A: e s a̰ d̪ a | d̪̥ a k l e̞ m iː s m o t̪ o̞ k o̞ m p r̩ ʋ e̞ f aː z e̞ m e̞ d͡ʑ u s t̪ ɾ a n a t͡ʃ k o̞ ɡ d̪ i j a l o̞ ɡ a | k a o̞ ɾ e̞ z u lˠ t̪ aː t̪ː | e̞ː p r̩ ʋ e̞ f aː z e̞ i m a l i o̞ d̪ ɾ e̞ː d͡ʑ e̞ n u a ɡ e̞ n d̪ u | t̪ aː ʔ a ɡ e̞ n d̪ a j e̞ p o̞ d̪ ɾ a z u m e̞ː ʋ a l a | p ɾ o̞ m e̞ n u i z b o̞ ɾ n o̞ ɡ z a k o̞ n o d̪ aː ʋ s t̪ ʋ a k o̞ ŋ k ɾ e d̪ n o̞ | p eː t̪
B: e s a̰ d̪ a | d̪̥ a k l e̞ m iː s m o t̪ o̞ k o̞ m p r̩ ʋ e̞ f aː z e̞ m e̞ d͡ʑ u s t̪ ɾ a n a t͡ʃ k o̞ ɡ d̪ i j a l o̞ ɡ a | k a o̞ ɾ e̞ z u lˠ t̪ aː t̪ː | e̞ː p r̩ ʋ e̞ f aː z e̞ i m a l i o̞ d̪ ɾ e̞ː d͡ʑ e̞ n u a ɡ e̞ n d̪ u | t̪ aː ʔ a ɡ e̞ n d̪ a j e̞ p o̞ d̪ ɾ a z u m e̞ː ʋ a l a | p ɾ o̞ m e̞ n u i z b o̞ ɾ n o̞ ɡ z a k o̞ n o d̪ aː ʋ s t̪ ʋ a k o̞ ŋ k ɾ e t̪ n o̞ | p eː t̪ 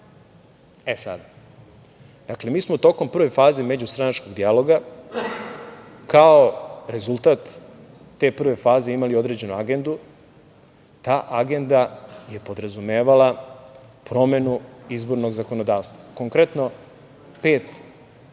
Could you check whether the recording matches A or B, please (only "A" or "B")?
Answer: B